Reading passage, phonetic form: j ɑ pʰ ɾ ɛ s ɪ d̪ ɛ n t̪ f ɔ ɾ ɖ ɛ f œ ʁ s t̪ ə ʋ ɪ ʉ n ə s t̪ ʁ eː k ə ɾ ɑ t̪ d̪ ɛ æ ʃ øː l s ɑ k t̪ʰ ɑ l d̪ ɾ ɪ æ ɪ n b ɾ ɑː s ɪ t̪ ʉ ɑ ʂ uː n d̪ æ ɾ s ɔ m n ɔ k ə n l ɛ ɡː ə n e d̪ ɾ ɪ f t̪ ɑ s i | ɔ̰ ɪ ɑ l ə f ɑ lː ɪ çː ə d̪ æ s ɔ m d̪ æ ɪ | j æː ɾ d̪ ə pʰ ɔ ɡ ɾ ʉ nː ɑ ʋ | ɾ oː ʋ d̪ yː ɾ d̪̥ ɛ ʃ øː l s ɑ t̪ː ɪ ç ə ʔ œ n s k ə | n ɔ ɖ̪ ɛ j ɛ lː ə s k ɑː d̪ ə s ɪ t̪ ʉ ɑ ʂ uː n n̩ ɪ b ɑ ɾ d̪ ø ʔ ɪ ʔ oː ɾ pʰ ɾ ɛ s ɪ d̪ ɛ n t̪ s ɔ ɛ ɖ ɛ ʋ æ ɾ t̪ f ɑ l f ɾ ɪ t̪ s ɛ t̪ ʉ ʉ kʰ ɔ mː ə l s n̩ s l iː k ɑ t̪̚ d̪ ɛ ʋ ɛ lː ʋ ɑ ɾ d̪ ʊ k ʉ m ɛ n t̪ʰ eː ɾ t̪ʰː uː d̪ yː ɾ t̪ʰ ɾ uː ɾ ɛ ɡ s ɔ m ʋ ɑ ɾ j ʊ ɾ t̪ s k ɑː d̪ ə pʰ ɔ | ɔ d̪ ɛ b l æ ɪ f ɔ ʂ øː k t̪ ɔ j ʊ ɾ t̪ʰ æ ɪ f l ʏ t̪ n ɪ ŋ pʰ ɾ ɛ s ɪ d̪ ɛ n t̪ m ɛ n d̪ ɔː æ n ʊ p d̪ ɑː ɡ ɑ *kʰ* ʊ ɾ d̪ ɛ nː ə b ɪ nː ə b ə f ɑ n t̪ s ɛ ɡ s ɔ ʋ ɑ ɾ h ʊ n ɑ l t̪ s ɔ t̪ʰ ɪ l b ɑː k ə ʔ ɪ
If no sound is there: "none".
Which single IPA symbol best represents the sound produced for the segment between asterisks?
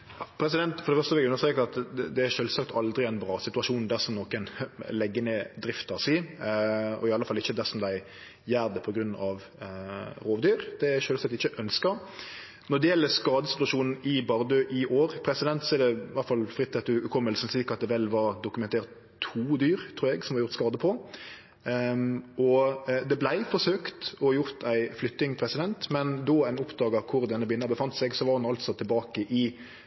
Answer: kʰ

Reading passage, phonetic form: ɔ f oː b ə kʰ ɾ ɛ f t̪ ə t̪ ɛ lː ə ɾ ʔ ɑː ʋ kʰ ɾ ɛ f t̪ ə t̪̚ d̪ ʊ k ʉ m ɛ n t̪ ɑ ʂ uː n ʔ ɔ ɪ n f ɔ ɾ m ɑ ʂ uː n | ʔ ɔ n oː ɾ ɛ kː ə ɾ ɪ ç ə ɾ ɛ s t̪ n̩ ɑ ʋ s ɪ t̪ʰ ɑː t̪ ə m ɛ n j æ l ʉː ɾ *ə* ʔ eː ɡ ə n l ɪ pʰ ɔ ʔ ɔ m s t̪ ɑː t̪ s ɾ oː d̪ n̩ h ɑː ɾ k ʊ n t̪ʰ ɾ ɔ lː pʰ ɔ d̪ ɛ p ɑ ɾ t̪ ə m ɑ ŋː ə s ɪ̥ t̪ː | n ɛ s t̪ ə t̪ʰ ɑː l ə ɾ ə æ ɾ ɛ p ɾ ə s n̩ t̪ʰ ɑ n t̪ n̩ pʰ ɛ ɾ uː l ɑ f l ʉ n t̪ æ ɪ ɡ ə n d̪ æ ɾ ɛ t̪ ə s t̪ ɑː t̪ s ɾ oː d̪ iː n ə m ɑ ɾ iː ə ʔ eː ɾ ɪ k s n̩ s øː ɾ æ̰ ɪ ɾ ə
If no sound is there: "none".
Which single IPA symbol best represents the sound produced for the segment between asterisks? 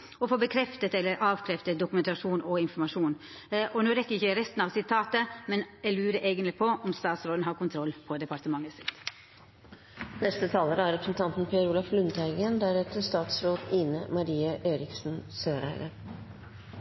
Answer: ə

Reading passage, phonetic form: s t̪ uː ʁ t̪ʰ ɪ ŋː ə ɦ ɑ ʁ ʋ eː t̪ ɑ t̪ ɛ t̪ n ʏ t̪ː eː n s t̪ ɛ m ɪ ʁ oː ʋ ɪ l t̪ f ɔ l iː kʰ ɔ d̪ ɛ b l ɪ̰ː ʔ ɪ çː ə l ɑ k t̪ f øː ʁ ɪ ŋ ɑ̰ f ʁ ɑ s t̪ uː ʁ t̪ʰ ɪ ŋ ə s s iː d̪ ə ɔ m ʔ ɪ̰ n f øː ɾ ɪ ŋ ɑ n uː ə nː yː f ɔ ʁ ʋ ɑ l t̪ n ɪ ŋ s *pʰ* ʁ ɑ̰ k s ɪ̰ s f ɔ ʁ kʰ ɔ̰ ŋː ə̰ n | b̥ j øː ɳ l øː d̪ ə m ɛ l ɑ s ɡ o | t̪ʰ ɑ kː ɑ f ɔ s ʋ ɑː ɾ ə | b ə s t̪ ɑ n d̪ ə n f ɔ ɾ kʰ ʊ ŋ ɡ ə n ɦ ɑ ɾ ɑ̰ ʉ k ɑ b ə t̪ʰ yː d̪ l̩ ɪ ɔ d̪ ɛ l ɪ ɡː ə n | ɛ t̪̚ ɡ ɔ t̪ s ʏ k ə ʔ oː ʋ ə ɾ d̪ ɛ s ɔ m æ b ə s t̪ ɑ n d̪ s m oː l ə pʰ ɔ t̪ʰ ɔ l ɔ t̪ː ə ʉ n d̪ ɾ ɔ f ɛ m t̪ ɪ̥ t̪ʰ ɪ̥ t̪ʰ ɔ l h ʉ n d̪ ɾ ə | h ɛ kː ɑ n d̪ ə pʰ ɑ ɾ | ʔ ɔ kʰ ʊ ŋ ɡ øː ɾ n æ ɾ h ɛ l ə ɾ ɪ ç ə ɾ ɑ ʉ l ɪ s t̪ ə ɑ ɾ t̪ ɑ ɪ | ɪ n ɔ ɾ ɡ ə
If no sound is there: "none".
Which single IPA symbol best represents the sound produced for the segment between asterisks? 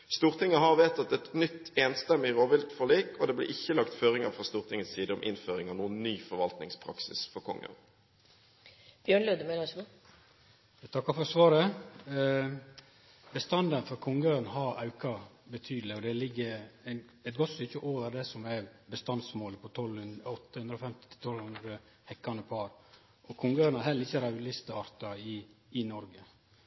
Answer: pʰ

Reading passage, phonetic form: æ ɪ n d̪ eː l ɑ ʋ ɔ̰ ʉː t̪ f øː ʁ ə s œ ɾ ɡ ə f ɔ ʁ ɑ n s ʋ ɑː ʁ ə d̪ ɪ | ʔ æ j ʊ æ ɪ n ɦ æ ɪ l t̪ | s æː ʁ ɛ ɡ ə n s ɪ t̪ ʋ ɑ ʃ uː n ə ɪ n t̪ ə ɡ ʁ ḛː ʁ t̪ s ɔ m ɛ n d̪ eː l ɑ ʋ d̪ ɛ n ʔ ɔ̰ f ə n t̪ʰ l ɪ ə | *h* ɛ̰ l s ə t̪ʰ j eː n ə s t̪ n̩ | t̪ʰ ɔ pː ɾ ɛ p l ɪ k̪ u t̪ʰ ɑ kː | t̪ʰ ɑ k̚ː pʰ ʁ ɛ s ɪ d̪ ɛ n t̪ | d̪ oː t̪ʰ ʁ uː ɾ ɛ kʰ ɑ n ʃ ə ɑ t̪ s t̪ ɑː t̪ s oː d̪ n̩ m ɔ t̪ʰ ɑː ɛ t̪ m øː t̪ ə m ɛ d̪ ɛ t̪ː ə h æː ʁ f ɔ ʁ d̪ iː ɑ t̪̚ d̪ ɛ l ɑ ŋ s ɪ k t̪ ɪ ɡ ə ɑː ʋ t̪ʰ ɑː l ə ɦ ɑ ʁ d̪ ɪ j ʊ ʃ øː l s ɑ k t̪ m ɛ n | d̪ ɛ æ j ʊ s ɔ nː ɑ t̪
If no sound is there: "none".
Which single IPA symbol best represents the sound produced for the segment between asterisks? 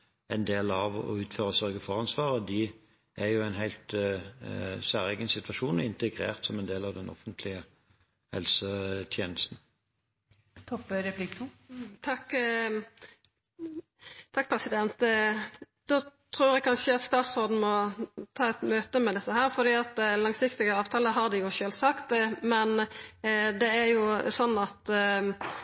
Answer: h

